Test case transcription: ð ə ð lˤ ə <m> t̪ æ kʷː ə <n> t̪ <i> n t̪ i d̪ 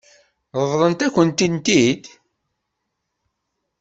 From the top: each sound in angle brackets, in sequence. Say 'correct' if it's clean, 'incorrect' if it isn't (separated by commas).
incorrect, correct, correct